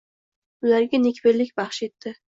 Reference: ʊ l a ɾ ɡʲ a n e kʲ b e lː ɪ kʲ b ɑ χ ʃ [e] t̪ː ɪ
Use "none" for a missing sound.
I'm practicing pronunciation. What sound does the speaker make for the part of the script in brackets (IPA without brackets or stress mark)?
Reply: e